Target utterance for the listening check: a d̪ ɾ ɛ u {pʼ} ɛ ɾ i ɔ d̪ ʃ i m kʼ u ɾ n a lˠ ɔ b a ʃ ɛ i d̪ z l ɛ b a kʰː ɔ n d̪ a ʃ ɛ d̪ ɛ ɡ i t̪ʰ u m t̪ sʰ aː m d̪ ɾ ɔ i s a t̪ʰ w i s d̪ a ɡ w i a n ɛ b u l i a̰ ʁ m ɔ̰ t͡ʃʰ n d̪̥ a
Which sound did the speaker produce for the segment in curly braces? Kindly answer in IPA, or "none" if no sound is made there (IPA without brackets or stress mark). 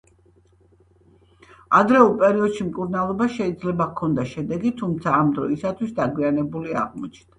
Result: pʼ